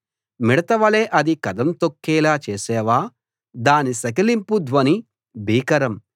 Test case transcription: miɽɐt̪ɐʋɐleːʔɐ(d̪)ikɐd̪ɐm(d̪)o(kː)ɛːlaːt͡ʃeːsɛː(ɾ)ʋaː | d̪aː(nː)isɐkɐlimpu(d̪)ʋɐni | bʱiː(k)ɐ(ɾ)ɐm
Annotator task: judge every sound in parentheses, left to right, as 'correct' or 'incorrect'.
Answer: correct, incorrect, correct, incorrect, incorrect, correct, correct, correct

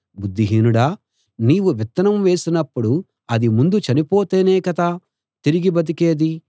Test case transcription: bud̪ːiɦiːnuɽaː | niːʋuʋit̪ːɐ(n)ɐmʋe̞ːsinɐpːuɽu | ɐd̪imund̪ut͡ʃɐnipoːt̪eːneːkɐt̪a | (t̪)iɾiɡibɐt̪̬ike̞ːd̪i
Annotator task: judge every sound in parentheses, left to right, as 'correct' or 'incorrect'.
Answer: correct, correct

